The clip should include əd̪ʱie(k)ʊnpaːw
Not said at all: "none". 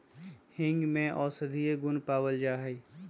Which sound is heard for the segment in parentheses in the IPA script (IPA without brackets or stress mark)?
ɡ